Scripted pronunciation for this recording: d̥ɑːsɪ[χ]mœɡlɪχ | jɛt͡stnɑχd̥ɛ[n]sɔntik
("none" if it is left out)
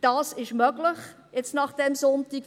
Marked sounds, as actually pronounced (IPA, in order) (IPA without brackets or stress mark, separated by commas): ʃ, m